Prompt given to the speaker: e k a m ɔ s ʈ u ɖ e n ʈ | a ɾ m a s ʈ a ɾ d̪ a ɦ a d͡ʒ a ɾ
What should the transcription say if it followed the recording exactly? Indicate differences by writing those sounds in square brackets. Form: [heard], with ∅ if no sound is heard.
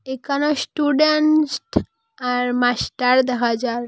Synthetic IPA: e k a [n] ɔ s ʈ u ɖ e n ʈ | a ɾ m a s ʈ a ɾ d̪ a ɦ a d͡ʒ a ɾ

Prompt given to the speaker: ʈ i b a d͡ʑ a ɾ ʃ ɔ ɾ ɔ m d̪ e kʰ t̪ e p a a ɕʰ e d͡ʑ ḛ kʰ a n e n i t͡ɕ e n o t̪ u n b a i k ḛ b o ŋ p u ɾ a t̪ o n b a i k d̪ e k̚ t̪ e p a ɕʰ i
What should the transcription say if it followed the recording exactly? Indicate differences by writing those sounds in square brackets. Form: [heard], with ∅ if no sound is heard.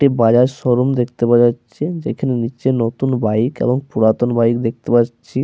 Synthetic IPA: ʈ i b a d͡ʑ a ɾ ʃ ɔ ɾ [o] m d̪ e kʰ t̪ e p a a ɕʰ e d͡ʑ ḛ kʰ a n e n i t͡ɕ e n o t̪ u n b a i k ḛ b o ŋ p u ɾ a t̪ o n b a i k d̪ e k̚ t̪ e p a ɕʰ i

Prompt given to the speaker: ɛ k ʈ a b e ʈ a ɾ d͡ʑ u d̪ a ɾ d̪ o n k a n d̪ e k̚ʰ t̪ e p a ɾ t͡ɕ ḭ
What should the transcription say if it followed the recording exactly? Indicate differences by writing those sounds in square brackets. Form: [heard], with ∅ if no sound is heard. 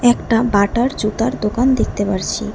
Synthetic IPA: ɛ k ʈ a b [a] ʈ a ɾ d͡ʑ u [t̪] a ɾ d̪ o [∅] k a n d̪ e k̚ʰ t̪ e p a ɾ [t͡ɕʰ] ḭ

